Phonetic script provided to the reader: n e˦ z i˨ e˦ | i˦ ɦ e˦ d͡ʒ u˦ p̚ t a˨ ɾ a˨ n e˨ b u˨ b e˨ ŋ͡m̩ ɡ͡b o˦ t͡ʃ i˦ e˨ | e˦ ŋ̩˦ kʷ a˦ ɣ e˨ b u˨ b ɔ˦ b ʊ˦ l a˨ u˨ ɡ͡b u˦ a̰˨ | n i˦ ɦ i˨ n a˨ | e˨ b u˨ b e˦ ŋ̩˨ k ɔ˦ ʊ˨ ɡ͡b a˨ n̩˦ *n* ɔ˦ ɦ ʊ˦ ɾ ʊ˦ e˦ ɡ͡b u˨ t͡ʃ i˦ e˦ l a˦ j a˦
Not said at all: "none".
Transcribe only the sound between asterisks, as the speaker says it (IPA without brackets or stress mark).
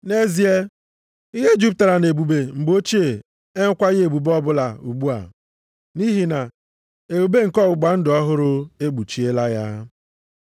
d